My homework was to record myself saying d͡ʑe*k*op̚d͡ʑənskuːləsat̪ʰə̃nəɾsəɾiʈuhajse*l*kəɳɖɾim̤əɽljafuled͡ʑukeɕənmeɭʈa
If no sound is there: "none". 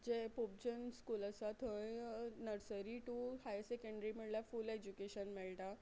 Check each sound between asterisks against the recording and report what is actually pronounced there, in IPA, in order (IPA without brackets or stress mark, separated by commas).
p, none